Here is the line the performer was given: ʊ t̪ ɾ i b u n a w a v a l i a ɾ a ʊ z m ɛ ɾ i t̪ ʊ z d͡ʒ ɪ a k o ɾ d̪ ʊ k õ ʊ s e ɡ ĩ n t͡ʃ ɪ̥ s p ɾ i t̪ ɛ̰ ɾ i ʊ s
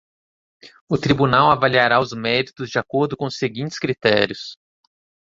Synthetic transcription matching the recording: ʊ t̪ ɾ i b u n a w a v a l i a ɾ a ʊ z m ɛ ɾ i t̪ ʊ z d͡ʒ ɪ a k o ɾ d̪ ʊ k õ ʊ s e ɡ ĩ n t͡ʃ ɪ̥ s k ɾ i t̪ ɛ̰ ɾ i ʊ s